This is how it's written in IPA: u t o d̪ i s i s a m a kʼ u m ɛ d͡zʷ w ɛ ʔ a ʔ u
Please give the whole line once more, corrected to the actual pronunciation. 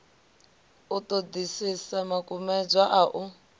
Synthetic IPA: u t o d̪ i s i s a m a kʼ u m ɛ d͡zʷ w a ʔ a ʔ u